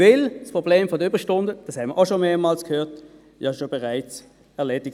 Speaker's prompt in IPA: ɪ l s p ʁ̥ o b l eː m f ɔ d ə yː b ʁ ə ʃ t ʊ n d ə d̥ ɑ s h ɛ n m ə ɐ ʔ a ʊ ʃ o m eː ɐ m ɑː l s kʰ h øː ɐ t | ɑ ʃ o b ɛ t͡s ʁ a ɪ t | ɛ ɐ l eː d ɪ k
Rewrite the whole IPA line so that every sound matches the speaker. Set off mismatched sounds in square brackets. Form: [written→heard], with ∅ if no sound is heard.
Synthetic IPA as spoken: ɪ l s p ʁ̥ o b l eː m f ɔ d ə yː b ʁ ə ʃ t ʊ n d ə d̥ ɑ s h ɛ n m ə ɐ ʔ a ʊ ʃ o m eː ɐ m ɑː l s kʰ h øː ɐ t | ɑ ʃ o b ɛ [t͡s→∅] ʁ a ɪ [t→t͡s] | ɛ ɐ l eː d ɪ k